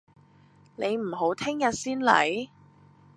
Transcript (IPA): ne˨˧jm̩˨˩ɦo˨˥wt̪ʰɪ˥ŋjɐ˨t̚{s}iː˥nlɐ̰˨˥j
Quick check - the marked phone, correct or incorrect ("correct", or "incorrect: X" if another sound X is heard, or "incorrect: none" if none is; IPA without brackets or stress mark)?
correct